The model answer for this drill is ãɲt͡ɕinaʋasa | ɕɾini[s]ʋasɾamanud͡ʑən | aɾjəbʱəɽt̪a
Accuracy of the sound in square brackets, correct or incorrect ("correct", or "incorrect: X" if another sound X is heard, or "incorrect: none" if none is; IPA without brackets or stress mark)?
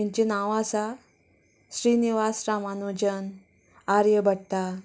incorrect: none